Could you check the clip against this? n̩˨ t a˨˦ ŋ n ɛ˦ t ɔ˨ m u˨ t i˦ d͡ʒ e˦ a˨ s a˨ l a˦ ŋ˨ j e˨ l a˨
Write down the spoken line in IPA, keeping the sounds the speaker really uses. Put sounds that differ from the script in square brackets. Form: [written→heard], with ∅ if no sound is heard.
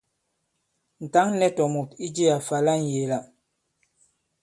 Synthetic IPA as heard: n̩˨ t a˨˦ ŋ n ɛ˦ t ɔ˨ m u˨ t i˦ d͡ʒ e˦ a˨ [s→f] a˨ l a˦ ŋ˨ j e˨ l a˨